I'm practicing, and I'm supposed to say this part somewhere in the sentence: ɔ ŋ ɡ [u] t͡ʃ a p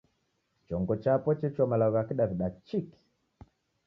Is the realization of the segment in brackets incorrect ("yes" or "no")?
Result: yes